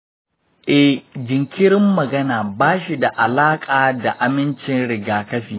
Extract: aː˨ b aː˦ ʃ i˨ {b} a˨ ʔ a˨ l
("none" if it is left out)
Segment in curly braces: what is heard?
d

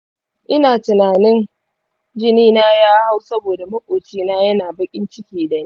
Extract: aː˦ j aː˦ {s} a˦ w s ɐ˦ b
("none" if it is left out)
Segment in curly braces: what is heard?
h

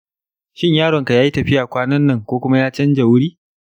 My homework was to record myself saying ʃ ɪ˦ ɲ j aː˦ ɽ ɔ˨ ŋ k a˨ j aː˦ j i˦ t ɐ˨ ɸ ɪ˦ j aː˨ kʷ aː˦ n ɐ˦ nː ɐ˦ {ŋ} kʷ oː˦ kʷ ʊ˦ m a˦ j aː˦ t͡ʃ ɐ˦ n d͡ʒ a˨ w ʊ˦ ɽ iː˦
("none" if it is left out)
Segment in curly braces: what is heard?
ŋ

